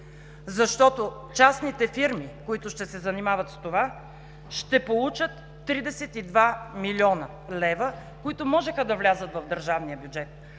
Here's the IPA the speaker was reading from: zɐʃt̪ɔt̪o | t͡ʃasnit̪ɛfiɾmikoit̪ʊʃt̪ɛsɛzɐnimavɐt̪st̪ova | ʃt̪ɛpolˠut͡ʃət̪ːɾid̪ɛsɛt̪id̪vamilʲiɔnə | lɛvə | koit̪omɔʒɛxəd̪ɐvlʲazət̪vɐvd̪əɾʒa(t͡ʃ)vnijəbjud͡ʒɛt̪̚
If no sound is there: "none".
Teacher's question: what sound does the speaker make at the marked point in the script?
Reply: none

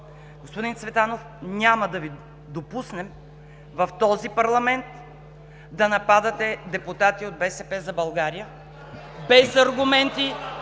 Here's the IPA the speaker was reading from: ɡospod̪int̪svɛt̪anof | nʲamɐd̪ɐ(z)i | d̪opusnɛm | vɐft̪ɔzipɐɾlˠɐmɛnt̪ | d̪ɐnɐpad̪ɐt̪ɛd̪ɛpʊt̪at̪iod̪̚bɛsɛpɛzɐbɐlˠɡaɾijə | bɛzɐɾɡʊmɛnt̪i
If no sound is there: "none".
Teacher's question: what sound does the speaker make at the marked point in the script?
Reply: v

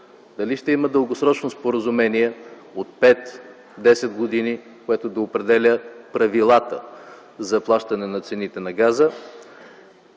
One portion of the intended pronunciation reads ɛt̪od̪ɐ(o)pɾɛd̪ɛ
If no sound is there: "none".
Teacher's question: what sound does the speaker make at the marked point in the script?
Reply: o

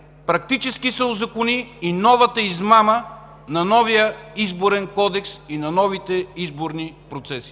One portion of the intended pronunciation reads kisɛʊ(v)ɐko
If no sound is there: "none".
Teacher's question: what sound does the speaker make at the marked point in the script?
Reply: z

